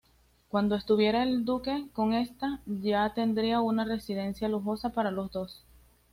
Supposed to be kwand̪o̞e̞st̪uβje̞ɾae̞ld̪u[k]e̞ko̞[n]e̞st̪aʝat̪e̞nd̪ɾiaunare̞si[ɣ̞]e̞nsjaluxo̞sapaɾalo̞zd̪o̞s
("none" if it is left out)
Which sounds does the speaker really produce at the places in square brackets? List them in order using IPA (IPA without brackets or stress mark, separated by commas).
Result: k, ŋ, ð̞